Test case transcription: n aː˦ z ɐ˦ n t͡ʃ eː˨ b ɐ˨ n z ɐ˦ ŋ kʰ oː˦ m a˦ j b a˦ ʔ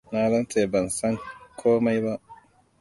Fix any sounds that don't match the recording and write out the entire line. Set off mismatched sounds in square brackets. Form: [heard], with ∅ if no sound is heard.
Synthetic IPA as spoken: n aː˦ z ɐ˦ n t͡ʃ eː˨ b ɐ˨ n [s] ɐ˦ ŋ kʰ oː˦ m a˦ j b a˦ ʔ